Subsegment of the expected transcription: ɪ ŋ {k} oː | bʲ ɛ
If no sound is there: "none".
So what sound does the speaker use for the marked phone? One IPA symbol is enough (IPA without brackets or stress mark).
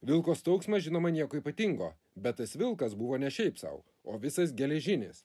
ɡ